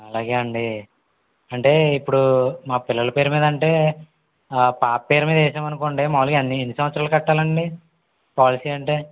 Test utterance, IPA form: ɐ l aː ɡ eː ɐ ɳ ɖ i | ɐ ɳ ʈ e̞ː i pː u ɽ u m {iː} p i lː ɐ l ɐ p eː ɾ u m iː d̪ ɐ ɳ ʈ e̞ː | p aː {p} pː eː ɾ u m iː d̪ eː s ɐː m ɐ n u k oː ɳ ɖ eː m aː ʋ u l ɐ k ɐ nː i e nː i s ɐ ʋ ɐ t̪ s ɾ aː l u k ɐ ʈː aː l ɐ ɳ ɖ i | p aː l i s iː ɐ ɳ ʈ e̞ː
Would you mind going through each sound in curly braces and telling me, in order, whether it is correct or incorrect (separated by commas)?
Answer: incorrect, correct